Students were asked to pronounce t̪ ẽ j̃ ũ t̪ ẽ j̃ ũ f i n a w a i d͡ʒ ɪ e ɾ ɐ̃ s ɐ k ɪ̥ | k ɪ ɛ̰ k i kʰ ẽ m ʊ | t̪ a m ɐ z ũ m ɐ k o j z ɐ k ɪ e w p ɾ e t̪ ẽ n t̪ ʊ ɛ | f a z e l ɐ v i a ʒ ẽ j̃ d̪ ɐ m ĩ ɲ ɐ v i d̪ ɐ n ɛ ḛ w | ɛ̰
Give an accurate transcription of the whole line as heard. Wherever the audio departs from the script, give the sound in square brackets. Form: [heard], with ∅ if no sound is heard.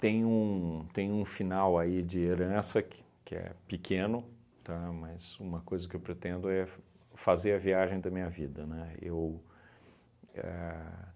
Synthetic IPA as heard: t̪ ẽ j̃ ũ t̪ ẽ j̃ ũ f i n a w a i d͡ʒ ɪ e ɾ ɐ̃ s ɐ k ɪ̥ | k ɪ ɛ̰ [p] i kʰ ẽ [n] ʊ | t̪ a m ɐ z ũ m ɐ k o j z ɐ k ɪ e w p ɾ e t̪ ẽ n [d̪] ʊ ɛ | f a z e [ɾ] ɐ v i a ʒ ẽ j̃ d̪ ɐ m ĩ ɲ ɐ v i d̪ ɐ n ɛ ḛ w | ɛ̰